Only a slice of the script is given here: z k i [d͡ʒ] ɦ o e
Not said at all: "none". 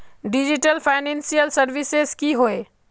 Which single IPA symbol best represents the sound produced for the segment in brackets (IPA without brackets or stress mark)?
none